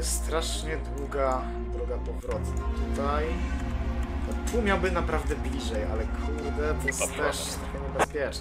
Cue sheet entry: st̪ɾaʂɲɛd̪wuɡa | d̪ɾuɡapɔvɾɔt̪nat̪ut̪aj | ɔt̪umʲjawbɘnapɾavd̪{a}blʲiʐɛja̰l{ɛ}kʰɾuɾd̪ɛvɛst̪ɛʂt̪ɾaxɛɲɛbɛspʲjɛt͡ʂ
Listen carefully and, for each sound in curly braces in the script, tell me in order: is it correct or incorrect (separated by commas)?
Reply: incorrect, correct